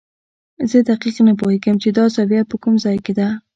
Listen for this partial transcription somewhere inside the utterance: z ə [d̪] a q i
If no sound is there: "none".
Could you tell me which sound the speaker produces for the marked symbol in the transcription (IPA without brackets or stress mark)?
d̪